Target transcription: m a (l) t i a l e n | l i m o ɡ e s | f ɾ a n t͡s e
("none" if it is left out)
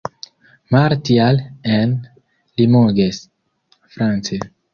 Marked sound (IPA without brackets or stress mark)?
ɾ